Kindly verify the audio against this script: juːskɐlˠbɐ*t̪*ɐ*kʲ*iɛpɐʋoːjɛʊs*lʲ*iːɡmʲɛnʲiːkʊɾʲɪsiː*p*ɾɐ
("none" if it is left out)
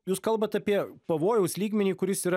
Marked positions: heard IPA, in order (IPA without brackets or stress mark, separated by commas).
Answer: t̪, pʲ, lʲ, none